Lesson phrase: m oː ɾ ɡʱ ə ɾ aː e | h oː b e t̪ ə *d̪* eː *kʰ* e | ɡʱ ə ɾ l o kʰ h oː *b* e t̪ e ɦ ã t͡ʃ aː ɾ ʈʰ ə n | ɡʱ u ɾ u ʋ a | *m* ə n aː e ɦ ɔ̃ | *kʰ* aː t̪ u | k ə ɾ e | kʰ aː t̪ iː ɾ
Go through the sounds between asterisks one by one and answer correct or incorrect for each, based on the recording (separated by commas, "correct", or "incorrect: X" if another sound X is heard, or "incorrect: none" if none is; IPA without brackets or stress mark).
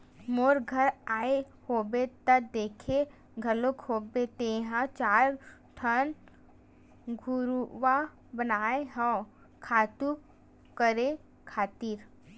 correct, correct, correct, incorrect: b, correct